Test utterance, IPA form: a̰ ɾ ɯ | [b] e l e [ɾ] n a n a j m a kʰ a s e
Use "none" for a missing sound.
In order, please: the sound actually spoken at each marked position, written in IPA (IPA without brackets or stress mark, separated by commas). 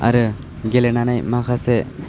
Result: ɡ, none